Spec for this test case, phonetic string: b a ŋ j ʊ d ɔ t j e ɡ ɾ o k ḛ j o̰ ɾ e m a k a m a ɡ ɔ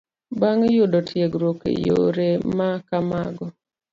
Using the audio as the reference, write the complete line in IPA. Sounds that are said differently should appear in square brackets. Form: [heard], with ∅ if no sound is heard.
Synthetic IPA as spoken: b a ŋ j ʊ d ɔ t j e ɡ ɾ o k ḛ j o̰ ɾ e m a k a m a ɡ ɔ

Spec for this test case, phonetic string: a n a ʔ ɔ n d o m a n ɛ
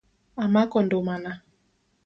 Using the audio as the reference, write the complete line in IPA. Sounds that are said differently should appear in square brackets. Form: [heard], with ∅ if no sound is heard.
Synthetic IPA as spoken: a [m] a [k] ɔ n d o m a n [a]

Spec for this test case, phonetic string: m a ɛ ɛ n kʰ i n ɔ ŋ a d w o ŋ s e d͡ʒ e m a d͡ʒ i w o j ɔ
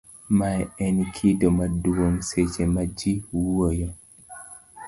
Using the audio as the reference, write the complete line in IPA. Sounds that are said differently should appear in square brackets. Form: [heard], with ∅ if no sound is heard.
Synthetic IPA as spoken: m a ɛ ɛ n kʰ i [d] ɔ [m] a d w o ŋ s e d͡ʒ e m a d͡ʒ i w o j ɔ

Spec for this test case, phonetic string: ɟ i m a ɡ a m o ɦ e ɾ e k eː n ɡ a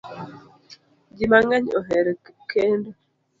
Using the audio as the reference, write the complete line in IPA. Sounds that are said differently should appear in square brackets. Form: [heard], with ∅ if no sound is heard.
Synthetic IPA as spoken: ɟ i m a [ŋ] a [ɲ] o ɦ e ɾ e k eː n [d] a

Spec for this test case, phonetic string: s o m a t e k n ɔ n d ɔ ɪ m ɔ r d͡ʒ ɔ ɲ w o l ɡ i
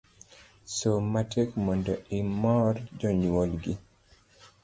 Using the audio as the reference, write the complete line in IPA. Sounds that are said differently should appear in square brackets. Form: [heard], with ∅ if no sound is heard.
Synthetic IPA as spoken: s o m a t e k [m] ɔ n d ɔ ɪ m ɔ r d͡ʒ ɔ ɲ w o l ɡ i

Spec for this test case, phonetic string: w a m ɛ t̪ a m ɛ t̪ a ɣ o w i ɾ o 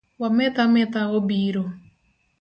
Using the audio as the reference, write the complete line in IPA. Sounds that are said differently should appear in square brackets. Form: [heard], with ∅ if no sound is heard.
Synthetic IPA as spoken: w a m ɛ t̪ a m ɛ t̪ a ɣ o [b] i ɾ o

